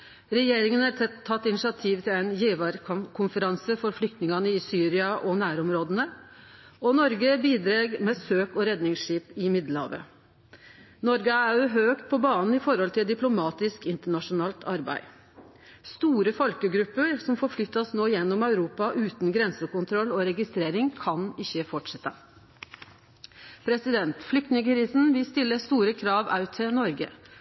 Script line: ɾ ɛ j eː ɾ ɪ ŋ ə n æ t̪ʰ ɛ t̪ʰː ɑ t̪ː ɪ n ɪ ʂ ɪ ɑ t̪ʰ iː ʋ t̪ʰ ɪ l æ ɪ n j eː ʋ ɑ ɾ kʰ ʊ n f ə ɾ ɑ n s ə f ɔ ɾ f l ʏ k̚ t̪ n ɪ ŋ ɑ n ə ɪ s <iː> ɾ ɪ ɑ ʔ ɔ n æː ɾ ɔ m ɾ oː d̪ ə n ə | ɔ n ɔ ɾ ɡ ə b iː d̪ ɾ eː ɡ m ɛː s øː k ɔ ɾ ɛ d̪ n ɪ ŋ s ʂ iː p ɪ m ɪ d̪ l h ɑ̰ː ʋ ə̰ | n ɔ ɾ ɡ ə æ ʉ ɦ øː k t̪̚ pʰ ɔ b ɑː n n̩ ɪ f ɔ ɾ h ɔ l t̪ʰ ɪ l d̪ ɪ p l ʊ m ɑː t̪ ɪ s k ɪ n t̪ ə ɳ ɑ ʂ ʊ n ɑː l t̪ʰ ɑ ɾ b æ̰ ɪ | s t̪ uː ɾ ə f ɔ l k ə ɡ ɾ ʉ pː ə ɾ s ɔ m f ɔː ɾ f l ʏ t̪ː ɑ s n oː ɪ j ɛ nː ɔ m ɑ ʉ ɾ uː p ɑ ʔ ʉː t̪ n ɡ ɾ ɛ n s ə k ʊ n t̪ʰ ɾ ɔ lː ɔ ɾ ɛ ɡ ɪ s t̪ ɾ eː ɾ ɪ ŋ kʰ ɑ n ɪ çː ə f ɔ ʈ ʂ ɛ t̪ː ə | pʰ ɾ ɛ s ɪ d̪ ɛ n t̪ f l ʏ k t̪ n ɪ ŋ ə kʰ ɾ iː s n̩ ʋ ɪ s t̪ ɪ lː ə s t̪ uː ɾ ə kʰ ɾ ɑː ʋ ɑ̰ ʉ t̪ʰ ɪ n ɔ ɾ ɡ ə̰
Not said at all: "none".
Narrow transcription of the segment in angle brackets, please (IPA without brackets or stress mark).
yː